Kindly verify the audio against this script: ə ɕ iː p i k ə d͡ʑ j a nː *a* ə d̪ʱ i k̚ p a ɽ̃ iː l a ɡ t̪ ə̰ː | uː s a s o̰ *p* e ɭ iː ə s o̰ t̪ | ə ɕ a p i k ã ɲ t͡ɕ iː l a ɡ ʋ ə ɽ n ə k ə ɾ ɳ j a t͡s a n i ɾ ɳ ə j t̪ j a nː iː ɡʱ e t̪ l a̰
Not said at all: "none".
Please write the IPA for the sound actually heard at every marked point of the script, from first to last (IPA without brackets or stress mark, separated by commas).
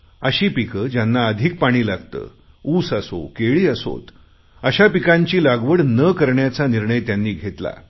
a, k